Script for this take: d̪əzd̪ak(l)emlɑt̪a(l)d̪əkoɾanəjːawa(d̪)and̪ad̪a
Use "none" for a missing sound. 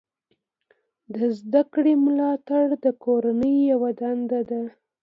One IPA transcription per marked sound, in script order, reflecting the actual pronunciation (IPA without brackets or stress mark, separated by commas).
ɽ, ɽ, d̪